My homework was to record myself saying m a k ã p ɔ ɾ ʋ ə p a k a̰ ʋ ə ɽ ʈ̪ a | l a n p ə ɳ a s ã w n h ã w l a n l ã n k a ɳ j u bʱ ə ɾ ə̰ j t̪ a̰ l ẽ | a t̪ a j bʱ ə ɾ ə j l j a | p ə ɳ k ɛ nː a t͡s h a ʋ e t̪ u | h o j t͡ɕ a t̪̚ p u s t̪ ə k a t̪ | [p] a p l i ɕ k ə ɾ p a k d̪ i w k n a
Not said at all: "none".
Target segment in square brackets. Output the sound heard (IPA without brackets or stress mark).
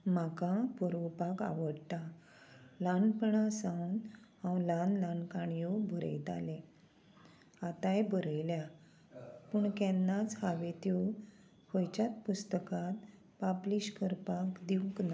p